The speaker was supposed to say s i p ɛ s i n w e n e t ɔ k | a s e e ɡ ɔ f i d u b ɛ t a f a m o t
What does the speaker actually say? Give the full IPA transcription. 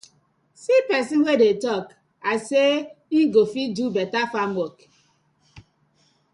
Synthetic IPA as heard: s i p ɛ s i n w e d e t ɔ k | a s e i ɡ o f i d u b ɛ t a f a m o k